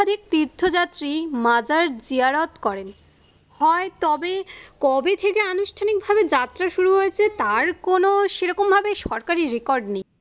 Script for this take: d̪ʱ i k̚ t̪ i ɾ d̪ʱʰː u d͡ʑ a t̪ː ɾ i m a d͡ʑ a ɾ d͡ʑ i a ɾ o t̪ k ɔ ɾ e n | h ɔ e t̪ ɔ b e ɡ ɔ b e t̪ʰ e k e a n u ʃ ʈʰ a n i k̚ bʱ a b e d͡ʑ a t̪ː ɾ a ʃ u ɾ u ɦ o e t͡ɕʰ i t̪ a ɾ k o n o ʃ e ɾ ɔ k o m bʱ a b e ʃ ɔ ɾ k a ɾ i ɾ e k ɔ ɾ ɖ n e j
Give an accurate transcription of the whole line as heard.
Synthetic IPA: d̪ʱ i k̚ t̪ i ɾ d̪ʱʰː o d͡ʑ a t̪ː ɾ i m a d͡ʑ a ɾ d͡ʑ i a ɾ o t̪ k ɔ ɾ e n | h ɔ e t̪ ɔ b e k ɔ b e t̪ʰ e k e a n u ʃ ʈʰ a n i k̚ bʱ a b e d͡ʑ a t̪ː ɾ a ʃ u ɾ u ɦ o e t͡ɕʰ e t̪ a ɾ k o n o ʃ e ɾ ɔ k o m bʱ a b e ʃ ɔ ɾ k a ɾ i ɾ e k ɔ ɾ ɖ n e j